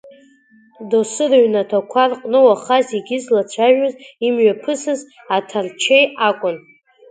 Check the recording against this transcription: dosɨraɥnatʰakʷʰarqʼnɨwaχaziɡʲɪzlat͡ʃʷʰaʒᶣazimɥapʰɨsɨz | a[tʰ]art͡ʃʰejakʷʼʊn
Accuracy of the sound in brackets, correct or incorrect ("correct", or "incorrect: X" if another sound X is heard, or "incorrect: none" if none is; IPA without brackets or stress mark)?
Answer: correct